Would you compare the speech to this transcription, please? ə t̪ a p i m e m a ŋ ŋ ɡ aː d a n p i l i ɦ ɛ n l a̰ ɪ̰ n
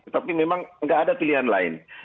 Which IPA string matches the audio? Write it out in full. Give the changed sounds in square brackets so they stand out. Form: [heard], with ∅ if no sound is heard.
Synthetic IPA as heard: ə t̪ a p i m e m a ŋ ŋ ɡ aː d a [∅] p i l i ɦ [a] n l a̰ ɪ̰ n